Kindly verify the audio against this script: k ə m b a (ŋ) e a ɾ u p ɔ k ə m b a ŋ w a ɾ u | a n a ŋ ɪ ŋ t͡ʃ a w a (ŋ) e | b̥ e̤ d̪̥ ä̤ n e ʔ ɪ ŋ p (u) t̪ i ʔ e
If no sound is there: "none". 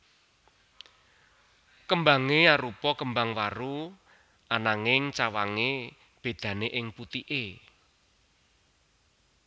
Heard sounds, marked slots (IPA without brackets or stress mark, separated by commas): ŋ, ŋ, u